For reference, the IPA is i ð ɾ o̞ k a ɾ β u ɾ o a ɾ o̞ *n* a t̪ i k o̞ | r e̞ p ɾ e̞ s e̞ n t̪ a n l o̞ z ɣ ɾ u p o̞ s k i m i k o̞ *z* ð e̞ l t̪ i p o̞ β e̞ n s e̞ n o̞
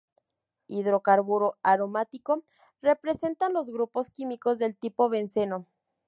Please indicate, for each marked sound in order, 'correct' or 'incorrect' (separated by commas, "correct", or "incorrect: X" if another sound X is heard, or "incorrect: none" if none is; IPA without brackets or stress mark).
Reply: incorrect: m, correct